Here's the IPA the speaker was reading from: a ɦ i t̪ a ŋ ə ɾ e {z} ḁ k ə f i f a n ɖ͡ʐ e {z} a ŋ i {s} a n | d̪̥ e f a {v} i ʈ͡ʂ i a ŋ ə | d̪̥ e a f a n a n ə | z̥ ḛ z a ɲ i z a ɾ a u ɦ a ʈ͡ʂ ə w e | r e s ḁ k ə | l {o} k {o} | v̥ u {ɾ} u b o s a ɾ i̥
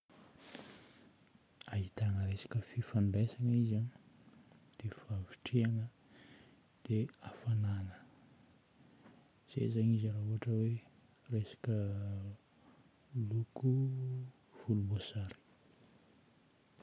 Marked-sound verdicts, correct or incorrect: incorrect: s, incorrect: s, incorrect: z, correct, incorrect: u, incorrect: u, incorrect: l

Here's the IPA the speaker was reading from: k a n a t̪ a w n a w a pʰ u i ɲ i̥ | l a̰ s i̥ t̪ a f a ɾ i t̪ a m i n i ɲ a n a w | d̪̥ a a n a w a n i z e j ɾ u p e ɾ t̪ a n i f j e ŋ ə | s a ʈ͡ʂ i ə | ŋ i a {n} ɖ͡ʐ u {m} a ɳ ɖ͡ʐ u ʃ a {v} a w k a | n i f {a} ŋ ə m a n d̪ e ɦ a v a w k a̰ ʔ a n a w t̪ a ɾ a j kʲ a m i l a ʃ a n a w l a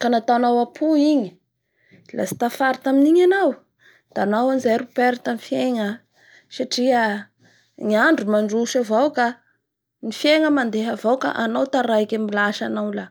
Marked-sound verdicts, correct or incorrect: incorrect: ɳ, correct, correct, incorrect: e

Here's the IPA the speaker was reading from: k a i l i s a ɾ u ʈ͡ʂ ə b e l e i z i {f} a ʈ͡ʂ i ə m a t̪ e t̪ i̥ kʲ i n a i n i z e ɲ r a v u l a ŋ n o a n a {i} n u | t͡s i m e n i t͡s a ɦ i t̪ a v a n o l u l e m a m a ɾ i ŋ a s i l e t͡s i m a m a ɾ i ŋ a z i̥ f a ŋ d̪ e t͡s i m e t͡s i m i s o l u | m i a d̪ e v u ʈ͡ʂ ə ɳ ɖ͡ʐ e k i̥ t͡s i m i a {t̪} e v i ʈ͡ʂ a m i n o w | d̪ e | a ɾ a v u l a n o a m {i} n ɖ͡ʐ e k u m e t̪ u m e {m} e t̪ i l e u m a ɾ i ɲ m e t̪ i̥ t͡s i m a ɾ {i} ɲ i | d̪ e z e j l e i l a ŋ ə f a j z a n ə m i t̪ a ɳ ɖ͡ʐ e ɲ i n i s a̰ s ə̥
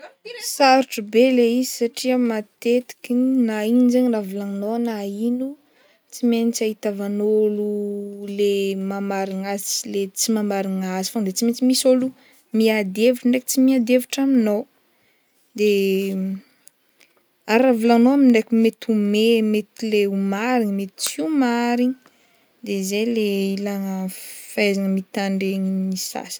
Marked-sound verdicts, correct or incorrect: incorrect: s, correct, incorrect: d̪, correct, correct, correct

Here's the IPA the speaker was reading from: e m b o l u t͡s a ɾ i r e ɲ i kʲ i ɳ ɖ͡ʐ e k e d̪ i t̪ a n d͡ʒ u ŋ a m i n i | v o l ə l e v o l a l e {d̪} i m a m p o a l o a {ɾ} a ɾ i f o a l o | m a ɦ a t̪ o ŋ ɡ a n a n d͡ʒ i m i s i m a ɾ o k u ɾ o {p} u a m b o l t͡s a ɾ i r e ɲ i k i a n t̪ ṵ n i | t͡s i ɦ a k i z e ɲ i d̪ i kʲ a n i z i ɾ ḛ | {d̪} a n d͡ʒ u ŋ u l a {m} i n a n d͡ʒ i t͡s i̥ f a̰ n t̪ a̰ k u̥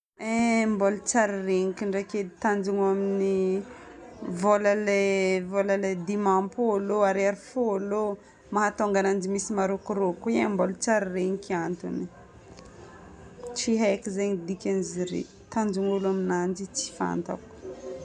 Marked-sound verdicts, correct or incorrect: correct, correct, incorrect: k, incorrect: t̪, correct

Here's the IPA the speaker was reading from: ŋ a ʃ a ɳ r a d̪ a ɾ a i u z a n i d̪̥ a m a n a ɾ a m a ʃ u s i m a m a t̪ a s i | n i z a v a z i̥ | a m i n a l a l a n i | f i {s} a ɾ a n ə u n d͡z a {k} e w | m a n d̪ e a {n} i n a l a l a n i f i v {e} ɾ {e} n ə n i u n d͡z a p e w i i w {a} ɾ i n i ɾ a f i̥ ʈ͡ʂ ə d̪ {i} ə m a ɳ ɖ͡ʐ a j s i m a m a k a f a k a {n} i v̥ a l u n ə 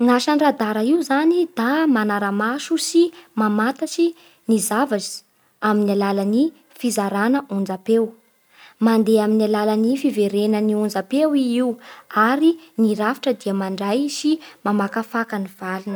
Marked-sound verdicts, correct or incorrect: incorrect: z, incorrect: p, incorrect: m, correct, correct, correct, correct, correct

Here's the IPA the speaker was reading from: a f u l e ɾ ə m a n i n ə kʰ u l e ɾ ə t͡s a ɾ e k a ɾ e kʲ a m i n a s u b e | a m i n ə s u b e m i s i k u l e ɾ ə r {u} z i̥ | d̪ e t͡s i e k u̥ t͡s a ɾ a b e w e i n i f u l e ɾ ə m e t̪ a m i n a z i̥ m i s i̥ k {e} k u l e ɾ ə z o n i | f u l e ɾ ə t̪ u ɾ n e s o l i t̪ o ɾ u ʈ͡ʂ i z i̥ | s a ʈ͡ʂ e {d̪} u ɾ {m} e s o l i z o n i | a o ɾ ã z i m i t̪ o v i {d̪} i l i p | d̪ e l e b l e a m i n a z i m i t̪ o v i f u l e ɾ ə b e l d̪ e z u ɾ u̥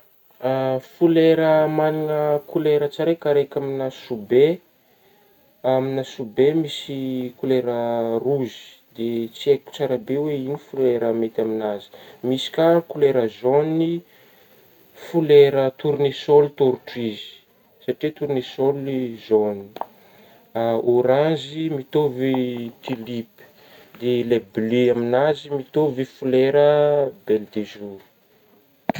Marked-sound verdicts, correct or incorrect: correct, incorrect: a, incorrect: t̪, incorrect: n, incorrect: t̪

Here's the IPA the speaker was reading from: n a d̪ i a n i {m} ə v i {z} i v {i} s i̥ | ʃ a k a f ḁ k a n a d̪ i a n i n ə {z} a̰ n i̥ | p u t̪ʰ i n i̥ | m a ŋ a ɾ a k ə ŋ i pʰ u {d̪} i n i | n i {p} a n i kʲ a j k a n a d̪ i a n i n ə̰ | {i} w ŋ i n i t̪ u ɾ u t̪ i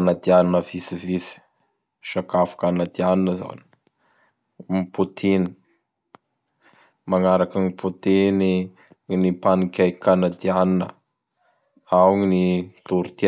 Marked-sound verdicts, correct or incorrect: incorrect: n, incorrect: s, correct, correct, incorrect: t̪, correct, incorrect: a

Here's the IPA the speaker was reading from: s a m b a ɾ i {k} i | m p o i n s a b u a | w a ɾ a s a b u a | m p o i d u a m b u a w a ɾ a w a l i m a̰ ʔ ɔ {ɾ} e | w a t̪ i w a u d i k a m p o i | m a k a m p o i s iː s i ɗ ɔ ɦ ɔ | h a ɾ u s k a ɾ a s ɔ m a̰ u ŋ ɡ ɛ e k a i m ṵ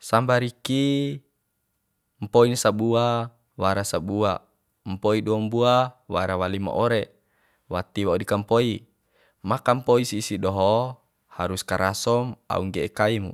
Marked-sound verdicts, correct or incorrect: correct, correct

